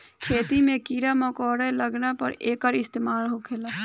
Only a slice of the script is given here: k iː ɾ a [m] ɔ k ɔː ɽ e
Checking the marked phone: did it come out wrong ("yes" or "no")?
no